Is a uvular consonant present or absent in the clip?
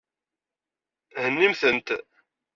absent